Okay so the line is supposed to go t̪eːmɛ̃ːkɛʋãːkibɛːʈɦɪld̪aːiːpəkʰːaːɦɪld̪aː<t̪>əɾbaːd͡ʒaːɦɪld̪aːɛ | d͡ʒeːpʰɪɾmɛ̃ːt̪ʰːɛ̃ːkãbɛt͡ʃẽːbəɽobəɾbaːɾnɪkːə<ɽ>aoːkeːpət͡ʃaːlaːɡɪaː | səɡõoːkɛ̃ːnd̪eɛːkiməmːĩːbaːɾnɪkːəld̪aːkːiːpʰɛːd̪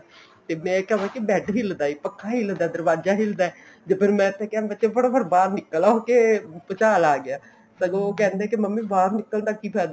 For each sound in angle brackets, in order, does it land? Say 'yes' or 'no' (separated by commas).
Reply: no, no